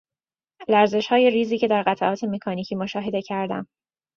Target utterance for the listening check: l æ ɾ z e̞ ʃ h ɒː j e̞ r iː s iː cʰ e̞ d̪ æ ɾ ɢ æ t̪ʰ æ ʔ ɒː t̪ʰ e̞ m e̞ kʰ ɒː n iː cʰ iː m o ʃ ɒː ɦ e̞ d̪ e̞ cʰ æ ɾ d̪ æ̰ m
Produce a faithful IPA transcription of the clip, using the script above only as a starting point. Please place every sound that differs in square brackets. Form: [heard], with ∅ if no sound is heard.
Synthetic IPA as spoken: l æ ɾ z e̞ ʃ h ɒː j e̞ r iː [z] iː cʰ e̞ d̪ æ ɾ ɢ æ t̪ʰ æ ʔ ɒː t̪ʰ e̞ m e̞ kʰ ɒː n iː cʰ iː m o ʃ ɒː ɦ e̞ d̪ e̞ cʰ æ ɾ d̪ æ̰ m